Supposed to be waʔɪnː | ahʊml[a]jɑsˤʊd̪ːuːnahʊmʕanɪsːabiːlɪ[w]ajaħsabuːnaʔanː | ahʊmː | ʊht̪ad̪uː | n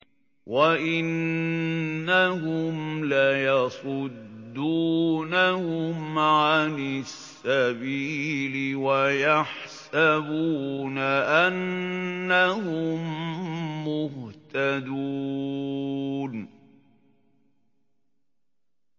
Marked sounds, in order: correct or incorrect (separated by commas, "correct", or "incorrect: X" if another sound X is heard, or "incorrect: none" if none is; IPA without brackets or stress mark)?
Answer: correct, correct